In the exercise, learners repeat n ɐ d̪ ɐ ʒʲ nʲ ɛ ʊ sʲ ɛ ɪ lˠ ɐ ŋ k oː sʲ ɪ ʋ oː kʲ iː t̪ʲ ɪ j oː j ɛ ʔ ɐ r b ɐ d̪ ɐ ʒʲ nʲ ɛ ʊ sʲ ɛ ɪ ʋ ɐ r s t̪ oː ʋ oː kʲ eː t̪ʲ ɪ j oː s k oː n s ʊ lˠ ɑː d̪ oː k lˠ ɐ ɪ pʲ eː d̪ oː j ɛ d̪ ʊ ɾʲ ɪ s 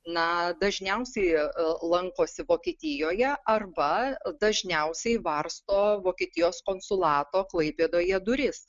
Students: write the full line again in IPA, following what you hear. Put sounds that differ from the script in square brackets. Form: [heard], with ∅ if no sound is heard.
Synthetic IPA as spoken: n ɐ d̪ ɐ ʒʲ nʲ ɛ ʊ sʲ ɛ ɪ lˠ ɐ ŋ k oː sʲ ɪ ʋ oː kʲ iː t̪ʲ ɪ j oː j ɛ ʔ ɐ r b ɐ d̪ ɐ ʒʲ nʲ ɛ ʊ sʲ ɛ ɪ ʋ ɐ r s t̪ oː ʋ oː kʲ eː t̪ʲ ɪ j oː s k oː n s ʊ lˠ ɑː [t̪] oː k lˠ ɐ ɪ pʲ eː d̪ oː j ɛ d̪ ʊ ɾʲ ɪ s